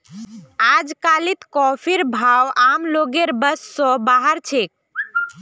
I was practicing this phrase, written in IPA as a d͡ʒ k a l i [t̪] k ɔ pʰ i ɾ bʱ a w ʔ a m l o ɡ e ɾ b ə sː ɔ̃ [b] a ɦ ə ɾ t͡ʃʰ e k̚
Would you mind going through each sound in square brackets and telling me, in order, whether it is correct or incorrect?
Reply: correct, correct

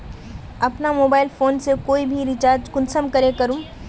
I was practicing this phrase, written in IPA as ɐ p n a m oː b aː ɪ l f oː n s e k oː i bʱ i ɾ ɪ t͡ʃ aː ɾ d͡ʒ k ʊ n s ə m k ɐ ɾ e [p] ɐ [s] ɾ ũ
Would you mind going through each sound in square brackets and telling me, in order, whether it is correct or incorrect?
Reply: incorrect: k, incorrect: none

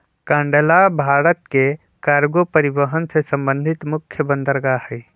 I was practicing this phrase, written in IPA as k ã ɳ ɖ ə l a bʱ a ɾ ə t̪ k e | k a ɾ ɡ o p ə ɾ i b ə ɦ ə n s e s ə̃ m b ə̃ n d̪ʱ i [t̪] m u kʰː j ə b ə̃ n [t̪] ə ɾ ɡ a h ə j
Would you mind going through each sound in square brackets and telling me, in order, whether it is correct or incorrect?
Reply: correct, incorrect: d̪

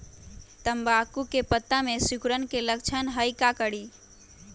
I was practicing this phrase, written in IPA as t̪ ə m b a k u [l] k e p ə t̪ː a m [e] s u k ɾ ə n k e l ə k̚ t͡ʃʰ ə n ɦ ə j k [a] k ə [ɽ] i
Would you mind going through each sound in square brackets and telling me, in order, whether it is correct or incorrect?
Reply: incorrect: none, correct, correct, correct

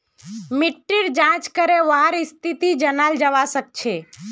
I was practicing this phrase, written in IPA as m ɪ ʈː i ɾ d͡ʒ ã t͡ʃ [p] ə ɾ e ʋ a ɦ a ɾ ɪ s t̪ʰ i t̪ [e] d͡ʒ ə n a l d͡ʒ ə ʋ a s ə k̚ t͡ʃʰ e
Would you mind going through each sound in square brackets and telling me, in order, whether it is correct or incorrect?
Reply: incorrect: k, incorrect: i

